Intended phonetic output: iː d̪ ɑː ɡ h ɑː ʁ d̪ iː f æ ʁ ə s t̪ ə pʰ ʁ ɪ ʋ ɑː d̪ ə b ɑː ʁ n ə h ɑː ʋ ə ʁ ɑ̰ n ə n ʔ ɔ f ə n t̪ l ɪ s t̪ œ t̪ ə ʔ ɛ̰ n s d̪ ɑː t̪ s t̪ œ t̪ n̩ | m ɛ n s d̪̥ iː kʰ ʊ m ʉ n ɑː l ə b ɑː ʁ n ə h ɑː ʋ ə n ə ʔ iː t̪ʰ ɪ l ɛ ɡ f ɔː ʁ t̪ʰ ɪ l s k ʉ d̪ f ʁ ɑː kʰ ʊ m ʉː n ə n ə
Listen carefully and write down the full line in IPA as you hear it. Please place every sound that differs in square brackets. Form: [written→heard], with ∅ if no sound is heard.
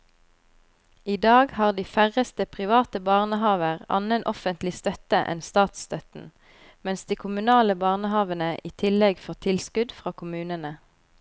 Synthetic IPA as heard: iː d̪ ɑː ɡ h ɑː ʁ d̪ iː f æ ʁ ə s t̪ ə pʰ ʁ ɪ ʋ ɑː [d̪→t̪] ə b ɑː ʁ n ə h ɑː ʋ ə ʁ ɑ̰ n ə n ʔ ɔ f ə n t̪ l ɪ s t̪ œ t̪ ə ʔ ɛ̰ n s [d̪→t̪] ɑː t̪ s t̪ œ t̪ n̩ | m ɛ n s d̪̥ iː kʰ ʊ m ʉ n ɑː l ə b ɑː ʁ n ə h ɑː ʋ ə n ə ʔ iː t̪ʰ ɪ l ɛ ɡ f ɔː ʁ t̪ʰ ɪ l s k ʉ d̪ f ʁ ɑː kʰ ʊ m ʉː n ə n ə

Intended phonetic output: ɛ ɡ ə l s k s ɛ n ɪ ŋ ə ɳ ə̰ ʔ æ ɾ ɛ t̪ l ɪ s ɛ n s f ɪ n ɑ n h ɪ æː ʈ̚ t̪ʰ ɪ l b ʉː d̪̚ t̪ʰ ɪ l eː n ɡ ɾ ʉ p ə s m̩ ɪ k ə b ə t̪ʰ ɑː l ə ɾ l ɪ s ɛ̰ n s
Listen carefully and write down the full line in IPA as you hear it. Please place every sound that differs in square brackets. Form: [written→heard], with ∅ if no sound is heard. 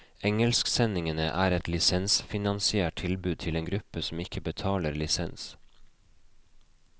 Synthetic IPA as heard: ɛ [ɡ→ŋ] ə l s k s ɛ n ɪ ŋ ə [ɳ→n] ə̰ ʔ [æ→æː] ɾ ɛ t̪ l ɪ s ɛ n s f ɪ n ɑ n [h→s] ɪ æː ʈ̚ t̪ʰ ɪ l b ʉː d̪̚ t̪ʰ ɪ l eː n ɡ ɾ ʉ p ə s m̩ ɪ k ə b ə t̪ʰ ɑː l ə ɾ l ɪ s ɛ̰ n s

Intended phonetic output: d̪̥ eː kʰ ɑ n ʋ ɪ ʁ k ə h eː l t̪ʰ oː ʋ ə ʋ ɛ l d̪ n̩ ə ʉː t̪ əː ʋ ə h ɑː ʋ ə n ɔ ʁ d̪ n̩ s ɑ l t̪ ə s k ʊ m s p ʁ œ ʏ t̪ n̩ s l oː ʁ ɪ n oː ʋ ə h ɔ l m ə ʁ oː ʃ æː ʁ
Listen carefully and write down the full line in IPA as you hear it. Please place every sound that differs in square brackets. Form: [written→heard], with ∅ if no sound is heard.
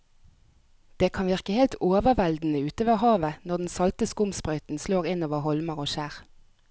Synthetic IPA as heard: d̪̥ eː kʰ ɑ n ʋ ɪ ʁ k ə h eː l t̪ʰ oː ʋ ə ʋ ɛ l d̪ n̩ ə ʉː t̪ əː ʋ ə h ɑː ʋ ə n ɔ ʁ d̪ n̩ s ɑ l t̪ ə s k ʊ m s p ʁ œ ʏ t̪ n̩ s l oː ʁ ɪ n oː ʋ ə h ɔ l m ə ʁ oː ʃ æː ʁ

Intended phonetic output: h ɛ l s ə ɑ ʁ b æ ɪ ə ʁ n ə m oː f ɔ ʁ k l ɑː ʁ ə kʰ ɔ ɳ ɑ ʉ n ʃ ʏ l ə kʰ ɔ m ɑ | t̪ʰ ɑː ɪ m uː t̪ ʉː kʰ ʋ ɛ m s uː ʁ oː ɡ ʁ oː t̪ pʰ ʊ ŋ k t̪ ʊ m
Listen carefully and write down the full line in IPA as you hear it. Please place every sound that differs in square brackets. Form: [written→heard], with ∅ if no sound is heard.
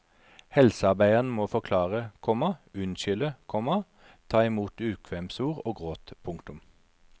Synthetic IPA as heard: h ɛ l s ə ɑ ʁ b æ ɪ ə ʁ n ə m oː f ɔ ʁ [k→kʰ] l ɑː ʁ ə kʰ ɔ [ɳ→m] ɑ ʉ n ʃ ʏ l ə kʰ ɔ m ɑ | t̪ʰ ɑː ɪ m uː t̪ ʉː kʰ ʋ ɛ m s uː ʁ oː ɡ ʁ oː t̪ pʰ ʊ ŋ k t̪ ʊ m

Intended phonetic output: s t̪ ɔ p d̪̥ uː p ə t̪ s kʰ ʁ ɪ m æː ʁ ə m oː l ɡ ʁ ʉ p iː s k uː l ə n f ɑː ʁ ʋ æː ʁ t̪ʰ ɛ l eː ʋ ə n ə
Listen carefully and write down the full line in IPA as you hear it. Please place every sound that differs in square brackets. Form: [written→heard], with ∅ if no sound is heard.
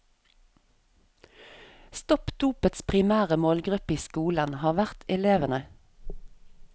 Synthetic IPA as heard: s t̪ ɔ p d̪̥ uː p ə t̪ s [kʰ→pʰ] ʁ ɪ m æː ʁ ə m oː l ɡ ʁ ʉ p iː s k uː l ə n [f→h] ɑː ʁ ʋ [æː→æ] ʁ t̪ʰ ɛ l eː ʋ ə n ə

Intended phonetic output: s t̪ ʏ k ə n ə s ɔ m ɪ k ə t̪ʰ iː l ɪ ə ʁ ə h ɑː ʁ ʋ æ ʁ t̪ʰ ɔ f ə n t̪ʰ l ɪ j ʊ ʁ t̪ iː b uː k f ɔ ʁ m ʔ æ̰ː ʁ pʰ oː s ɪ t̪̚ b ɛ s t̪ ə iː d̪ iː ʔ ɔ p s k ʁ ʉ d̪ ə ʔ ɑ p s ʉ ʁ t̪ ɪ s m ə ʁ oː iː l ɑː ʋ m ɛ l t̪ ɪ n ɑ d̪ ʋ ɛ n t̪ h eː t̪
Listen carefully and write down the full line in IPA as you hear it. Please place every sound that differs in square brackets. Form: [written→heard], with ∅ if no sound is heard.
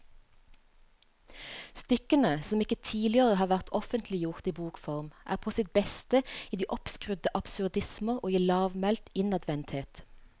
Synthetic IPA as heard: s t̪ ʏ k ə n ə s ɔ m ɪ k ə t̪ʰ iː l ɪ ə ʁ ə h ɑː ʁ ʋ æ ʁ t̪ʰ ɔ f ə n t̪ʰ l ɪ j ʊ ʁ t̪ iː b uː k f ɔ ʁ m ʔ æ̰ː ʁ pʰ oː s ɪ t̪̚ b ɛ s t̪ ə iː d̪ iː ʔ ɔ p s k ʁ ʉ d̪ ə ʔ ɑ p s ʉ ʁ [t̪→d̪] ɪ s m ə ʁ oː iː l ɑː ʋ m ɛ l t̪ ɪ n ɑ d̪ ʋ ɛ n t̪ h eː t̪

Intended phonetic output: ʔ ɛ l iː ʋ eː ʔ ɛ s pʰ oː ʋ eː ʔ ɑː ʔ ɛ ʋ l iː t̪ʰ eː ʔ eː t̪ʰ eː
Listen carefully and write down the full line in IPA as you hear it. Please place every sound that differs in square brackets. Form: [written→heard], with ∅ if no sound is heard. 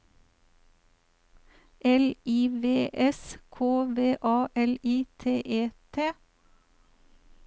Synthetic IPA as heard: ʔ ɛ l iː ʋ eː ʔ ɛ s [pʰ→kʰ] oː ʋ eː ʔ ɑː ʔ ɛ [ʋ→∅] l iː t̪ʰ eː ʔ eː t̪ʰ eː

